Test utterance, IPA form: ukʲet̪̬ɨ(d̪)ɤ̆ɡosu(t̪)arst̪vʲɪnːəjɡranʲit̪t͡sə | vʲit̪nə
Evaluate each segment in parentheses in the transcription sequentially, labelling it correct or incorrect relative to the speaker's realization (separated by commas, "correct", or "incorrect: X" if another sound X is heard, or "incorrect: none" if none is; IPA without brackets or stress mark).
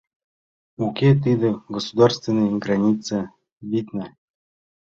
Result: correct, incorrect: d̪